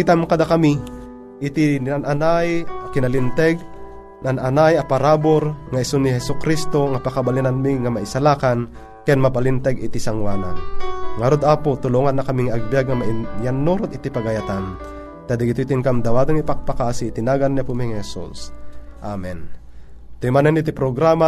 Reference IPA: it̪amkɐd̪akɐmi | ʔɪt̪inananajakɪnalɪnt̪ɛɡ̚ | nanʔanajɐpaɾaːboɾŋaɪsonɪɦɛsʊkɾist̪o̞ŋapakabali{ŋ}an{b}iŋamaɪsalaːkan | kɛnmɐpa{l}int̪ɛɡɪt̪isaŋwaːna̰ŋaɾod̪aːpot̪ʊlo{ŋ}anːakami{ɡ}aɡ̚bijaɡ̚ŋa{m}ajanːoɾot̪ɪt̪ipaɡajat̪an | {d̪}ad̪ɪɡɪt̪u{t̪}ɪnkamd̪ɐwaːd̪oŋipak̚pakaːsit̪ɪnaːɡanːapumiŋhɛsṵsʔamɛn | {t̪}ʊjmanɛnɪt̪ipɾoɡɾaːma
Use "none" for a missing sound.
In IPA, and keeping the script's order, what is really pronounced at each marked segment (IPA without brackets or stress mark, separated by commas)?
n, m, l, ŋ, ŋ, m, t̪, t̪, t̪